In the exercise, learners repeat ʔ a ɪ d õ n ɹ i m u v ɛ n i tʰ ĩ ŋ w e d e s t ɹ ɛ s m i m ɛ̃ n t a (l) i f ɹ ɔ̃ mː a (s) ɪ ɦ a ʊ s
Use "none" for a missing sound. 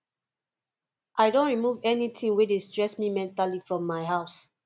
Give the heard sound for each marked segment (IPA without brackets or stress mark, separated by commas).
l, none